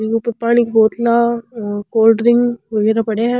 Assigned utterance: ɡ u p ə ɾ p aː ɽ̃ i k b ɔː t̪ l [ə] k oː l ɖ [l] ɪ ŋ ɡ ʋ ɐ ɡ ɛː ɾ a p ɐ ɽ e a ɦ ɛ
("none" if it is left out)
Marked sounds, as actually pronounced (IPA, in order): a, ɾ

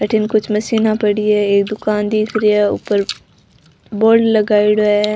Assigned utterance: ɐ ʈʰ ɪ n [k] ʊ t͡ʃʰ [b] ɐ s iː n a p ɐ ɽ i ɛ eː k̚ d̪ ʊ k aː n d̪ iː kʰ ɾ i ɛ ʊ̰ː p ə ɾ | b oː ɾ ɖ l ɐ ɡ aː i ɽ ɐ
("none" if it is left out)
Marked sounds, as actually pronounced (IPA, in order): k, m

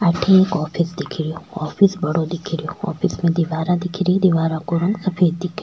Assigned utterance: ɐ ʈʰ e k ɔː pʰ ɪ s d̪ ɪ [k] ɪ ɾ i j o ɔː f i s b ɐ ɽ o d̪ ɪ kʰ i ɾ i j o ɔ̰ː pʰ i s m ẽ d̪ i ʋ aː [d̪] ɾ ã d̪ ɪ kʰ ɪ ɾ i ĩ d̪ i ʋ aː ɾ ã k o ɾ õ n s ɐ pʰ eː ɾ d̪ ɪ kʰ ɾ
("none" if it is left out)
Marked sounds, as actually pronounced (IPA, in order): kʰ, none

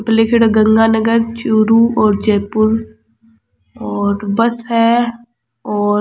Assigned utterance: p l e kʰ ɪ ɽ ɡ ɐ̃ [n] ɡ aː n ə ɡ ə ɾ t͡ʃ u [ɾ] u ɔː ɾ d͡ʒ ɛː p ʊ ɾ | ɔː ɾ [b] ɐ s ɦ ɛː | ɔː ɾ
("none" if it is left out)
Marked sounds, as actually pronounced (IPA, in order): ŋ, ɾ, b

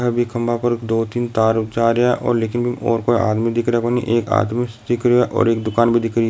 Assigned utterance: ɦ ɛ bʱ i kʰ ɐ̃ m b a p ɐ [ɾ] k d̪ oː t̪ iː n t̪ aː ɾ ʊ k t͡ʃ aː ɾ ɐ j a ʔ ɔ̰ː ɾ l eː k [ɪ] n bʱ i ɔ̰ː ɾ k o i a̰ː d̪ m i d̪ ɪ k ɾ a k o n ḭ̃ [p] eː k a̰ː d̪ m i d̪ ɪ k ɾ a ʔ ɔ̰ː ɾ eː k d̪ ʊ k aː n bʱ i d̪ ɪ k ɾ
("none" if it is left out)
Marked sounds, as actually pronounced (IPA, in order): ɾ, ɪ, ʔ

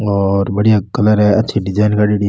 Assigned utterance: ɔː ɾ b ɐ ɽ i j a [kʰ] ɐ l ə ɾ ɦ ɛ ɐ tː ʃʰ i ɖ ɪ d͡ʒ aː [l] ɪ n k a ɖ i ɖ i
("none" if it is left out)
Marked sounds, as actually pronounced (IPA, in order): k, none

